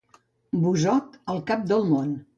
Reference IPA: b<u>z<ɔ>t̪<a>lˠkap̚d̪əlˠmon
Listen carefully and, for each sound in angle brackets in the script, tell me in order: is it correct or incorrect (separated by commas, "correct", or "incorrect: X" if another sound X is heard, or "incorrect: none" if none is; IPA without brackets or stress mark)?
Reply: correct, correct, incorrect: ə